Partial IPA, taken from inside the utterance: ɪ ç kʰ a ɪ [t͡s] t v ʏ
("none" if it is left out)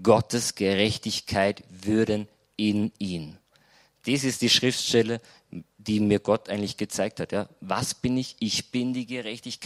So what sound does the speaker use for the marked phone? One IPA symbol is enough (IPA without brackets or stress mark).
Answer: none